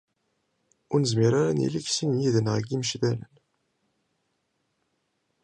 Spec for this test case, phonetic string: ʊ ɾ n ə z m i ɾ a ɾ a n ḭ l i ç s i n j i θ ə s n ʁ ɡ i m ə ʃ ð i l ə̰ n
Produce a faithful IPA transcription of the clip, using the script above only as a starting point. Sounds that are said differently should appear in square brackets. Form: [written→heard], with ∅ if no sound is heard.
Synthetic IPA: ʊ ɾ n ə z m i ɾ a ɾ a n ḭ l i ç s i n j i [θ→ð] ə [s→∅] n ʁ ɡ i m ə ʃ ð [i→æ] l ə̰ n